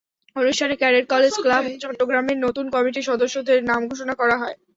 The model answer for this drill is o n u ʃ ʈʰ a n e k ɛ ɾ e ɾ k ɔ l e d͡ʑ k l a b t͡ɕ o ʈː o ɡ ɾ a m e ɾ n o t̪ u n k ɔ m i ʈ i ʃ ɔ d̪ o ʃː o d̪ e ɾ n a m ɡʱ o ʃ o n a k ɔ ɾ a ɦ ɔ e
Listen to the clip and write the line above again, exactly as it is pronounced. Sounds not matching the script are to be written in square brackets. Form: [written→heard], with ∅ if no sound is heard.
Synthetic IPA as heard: o n u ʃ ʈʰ a n e k ɛ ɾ e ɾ k ɔ l e d͡ʑ k l a b t͡ɕ [o→ɔ] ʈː o ɡ ɾ a m e ɾ n o t̪ u n k ɔ m i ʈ i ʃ ɔ d̪ o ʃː o d̪ e ɾ n a m ɡʱ o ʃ o n a k ɔ ɾ a ɦ ɔ e